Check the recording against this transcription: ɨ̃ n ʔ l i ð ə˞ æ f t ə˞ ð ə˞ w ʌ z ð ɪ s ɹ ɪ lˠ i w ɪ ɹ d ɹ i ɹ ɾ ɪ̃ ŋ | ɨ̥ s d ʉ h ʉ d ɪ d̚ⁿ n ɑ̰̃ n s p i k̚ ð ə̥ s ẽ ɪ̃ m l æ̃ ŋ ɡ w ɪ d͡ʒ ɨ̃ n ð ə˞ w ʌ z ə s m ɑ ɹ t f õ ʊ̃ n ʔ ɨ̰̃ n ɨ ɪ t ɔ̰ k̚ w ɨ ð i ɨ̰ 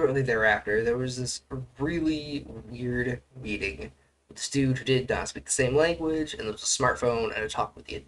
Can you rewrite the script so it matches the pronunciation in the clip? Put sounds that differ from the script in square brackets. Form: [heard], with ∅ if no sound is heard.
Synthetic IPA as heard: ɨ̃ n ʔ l i ð ə˞ æ f t ə˞ ð ə˞ w ʌ z ð ɪ s ɹ ɪ lˠ i w ɪ ɹ d ɹ i [∅] ɾ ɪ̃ ŋ | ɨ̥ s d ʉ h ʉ d ɪ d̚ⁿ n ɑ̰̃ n s p i k̚ ð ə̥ s ẽ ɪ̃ m l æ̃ ŋ ɡ w ɪ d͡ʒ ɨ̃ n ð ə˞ w ʌ z ə s m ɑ ɹ t f õ ʊ̃ n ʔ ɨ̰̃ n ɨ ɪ [tʰ] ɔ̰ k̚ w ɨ ð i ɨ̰

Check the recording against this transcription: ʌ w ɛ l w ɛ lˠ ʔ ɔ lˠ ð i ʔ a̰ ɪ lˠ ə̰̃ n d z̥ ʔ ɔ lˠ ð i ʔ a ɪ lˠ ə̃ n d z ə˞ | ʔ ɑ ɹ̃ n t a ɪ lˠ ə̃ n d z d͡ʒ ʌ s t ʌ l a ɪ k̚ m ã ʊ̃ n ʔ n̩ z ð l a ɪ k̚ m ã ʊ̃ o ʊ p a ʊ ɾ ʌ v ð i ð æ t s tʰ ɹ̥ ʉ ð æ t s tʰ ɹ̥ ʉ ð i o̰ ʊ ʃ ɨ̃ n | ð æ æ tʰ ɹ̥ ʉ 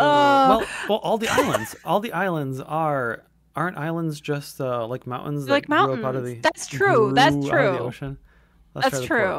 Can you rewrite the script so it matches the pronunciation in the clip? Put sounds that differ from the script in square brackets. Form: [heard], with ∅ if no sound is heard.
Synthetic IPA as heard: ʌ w ɛ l w ɛ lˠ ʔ ɔ lˠ ð i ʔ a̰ ɪ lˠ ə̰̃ n d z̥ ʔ ɔ lˠ ð i ʔ a ɪ lˠ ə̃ n d z ə˞ | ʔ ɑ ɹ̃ n t a ɪ lˠ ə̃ n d z d͡ʒ ʌ s t ʌ l a ɪ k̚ m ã ʊ̃ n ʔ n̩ z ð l a ɪ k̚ m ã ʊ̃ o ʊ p a ʊ ɾ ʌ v ð i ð æ t s tʰ ɹ̥ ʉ ð æ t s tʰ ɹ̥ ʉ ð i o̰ ʊ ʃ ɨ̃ n | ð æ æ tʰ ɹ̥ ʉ

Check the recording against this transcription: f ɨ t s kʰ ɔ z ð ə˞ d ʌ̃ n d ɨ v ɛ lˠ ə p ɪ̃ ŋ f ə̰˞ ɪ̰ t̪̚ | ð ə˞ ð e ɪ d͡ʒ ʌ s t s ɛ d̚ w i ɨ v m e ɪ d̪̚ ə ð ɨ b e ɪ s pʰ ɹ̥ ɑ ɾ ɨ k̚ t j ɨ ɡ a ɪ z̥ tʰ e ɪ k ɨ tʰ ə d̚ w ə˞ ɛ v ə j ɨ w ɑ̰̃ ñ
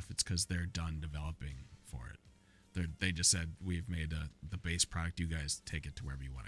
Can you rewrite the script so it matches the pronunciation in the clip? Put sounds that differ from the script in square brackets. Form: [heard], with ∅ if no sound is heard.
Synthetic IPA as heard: f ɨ t s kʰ [ʌ] z ð ə˞ d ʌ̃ n d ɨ v ɛ lˠ ə p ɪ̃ ŋ f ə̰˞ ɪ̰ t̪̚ | ð ə˞ ð e ɪ d͡ʒ ʌ s t s ɛ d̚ w i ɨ v m e ɪ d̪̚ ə ð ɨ b e ɪ s pʰ ɹ̥ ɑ ɾ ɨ k̚ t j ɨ ɡ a ɪ z̥ tʰ e ɪ k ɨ tʰ ə [∅] w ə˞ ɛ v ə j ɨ w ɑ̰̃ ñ

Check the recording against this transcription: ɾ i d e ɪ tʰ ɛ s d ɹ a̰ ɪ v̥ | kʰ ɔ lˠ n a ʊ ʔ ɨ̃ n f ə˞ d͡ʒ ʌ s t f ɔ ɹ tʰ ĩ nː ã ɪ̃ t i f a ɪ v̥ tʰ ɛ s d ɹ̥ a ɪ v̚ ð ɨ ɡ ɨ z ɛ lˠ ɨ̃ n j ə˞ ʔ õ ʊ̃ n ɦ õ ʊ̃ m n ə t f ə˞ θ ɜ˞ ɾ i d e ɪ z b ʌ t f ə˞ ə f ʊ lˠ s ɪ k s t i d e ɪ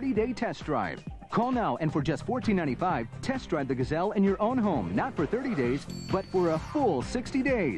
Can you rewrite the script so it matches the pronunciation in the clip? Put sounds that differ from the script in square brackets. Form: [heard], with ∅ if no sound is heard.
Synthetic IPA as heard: ɾ i d e ɪ tʰ ɛ s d ɹ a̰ ɪ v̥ | kʰ ɔ lˠ n a ʊ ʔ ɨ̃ n f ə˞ d͡ʒ ʌ s t f ɔ ɹ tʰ ĩ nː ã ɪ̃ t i f a ɪ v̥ tʰ ɛ s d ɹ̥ a ɪ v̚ ð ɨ ɡ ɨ z ɛ lˠ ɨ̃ n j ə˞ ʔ õ ʊ̃ n ɦ õ ʊ̃ m n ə t f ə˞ θ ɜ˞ ɾ i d e ɪ z b ʌ t f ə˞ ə f ʊ lˠ s ɪ k s t i d e ɪ

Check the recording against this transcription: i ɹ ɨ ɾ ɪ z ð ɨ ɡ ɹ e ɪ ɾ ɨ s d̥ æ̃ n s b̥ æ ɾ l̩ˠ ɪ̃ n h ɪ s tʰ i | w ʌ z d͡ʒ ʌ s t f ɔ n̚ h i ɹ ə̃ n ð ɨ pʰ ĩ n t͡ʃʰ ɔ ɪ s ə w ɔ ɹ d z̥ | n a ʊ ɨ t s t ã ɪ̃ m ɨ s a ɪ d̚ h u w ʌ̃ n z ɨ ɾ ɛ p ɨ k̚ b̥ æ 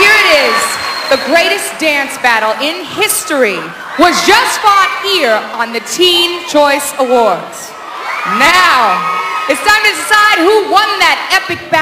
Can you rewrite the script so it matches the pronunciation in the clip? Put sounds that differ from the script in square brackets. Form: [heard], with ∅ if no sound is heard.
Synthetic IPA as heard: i ɹ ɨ ɾ ɪ z ð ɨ ɡ ɹ e ɪ ɾ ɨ s d̥ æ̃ n s b̥ æ ɾ l̩ˠ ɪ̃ n h ɪ s [t] i | w ʌ z d͡ʒ ʌ s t f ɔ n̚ h i ɹ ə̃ n ð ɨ [tʰ] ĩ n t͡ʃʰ ɔ ɪ s ə w ɔ ɹ d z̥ | n a ʊ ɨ t s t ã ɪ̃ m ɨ s a ɪ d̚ h u w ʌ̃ n [ð] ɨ ɾ ɛ p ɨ k̚ b̥ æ

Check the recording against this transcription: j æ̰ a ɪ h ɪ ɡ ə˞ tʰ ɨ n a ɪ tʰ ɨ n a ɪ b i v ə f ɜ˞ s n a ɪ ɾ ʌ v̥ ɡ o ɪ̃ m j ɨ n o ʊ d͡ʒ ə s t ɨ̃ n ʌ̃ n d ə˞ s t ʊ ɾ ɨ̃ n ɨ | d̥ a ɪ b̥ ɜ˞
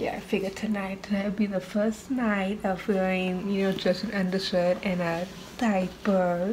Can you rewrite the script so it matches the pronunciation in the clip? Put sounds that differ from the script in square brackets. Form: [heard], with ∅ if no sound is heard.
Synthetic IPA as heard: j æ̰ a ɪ [f] ɪ ɡ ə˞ tʰ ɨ n a ɪ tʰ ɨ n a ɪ b i [ð] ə f ɜ˞ s n a ɪ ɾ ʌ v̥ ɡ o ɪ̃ [ŋ] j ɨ n o ʊ d͡ʒ [ʌ] s t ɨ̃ n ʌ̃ n d ə˞ s t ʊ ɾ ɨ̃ n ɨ | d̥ a ɪ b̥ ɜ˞

